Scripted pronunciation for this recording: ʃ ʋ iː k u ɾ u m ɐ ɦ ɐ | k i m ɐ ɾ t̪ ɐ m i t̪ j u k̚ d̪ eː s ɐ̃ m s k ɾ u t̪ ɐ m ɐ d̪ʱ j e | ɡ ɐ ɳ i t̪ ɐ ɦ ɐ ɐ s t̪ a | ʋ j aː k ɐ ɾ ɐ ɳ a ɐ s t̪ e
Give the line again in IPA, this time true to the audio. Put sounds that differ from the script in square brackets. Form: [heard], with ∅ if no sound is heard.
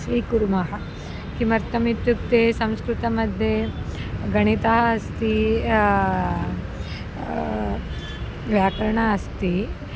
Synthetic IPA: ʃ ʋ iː k u ɾ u m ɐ ɦ ɐ | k i m ɐ ɾ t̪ ɐ m i t̪ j u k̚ [t̪] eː s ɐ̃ m s k ɾ u t̪ ɐ m ɐ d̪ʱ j e | ɡ ɐ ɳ i t̪ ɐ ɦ ɐ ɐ s t̪ [i] | ʋ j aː k ɐ ɾ ɐ ɳ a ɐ s t̪ [i]

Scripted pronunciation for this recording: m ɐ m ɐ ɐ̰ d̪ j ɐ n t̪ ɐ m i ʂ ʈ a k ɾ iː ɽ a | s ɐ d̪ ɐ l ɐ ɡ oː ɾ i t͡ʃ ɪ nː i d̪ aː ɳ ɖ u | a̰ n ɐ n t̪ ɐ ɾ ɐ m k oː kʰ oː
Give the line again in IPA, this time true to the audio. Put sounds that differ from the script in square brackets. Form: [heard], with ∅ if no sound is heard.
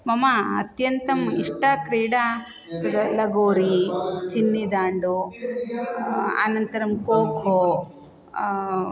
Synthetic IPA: m ɐ m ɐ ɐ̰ [t̪] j ɐ n t̪ ɐ m i ʂ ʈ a k ɾ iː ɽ a | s ɐ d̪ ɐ l ɐ ɡ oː ɾ i t͡ʃ [i] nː i d̪ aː ɳ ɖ u | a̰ n ɐ n t̪ ɐ ɾ ɐ m k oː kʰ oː

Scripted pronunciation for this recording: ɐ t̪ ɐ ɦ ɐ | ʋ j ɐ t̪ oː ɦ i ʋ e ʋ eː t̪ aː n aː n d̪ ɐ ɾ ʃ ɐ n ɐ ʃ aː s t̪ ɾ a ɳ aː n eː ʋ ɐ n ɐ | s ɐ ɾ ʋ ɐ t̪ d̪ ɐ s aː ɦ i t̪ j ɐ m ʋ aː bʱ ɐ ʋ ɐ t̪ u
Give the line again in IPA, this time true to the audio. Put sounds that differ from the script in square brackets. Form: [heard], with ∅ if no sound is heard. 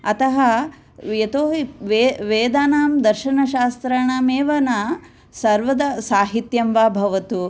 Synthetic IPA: ɐ t̪ ɐ ɦ ɐ | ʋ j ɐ t̪ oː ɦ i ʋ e ʋ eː [d̪] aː n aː [m] d̪ ɐ ɾ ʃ ɐ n ɐ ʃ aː s t̪ ɾ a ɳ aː [m] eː ʋ ɐ n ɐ | s ɐ ɾ ʋ ɐ [∅] d̪ ɐ s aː ɦ i t̪ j ɐ m ʋ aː bʱ ɐ ʋ ɐ t̪ u

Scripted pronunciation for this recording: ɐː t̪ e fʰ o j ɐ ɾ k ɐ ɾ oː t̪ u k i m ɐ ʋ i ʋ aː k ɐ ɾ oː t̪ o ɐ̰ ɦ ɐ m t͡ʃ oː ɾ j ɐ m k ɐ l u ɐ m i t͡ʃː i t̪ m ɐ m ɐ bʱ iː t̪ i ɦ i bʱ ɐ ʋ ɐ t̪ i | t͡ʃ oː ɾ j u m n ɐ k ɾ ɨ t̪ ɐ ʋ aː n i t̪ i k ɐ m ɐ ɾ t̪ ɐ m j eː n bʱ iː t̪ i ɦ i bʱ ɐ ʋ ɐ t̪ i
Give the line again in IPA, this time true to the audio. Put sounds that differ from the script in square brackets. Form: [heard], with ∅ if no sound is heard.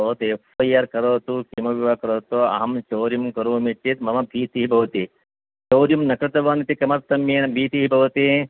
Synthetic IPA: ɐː t̪ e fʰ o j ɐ ɾ k ɐ ɾ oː t̪ u k i m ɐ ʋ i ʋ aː k ɐ ɾ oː t̪ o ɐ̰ ɦ ɐ m t͡ʃ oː ɾ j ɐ m k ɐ [ɾ] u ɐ m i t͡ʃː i t̪ m ɐ m ɐ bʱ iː t̪ i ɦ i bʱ ɐ ʋ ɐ t̪ i | t͡ʃ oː ɾ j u m n ɐ k ɾ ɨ t̪ ɐ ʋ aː n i t̪ i k ɐ m ɐ ɾ t̪ ɐ m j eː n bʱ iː t̪ i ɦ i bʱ ɐ ʋ ɐ t̪ i

